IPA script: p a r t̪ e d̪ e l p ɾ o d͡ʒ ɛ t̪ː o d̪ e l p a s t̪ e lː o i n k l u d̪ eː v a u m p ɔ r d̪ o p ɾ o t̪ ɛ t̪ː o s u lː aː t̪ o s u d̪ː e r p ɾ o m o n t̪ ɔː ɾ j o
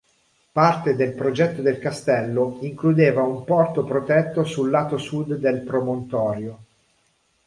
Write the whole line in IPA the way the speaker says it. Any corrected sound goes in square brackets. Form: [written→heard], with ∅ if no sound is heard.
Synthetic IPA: p a r t̪ e d̪ e l p ɾ o d͡ʒ ɛ t̪ː o d̪ e l [p→k] a s t̪ [e→ɛ] lː o i [n→ŋ] k l u d̪ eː v a u m p ɔ r [d̪→t̪] o p ɾ o t̪ ɛ t̪ː o s u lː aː t̪ o s u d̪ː e [r→l] p ɾ o m o n t̪ ɔː ɾ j o